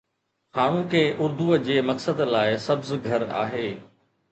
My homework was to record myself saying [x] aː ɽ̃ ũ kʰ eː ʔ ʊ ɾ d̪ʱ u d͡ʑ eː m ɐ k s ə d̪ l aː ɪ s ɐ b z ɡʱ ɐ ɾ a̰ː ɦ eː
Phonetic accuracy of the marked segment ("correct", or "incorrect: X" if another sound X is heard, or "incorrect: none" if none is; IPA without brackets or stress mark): correct